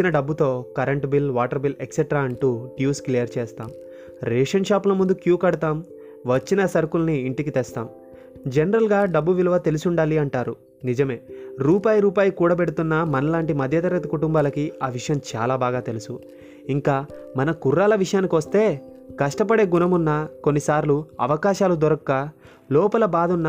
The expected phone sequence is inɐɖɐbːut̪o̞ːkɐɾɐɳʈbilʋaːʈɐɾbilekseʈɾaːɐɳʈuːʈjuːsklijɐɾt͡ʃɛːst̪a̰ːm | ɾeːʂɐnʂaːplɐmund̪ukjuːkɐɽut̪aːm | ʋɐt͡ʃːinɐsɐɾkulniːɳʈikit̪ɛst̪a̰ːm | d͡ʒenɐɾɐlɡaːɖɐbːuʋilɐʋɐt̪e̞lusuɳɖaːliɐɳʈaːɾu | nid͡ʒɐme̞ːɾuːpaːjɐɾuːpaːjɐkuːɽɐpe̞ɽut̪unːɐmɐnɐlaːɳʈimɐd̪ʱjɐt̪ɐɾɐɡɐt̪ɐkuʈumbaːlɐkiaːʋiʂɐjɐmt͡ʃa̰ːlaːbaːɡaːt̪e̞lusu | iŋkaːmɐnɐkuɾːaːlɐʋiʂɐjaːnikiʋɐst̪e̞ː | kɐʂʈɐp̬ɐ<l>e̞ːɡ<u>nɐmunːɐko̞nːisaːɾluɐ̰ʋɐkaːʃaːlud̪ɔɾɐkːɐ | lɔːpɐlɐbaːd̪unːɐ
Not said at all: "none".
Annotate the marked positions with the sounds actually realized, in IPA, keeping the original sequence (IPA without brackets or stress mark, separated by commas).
ɽ, u